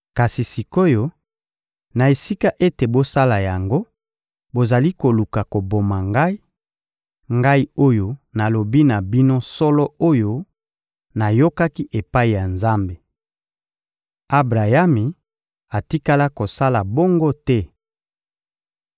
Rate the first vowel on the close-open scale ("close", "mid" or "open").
open